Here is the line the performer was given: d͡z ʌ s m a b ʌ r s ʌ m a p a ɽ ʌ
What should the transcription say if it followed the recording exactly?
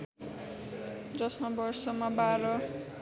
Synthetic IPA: d͡z ʌ s m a b ʌ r s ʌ m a b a ɾ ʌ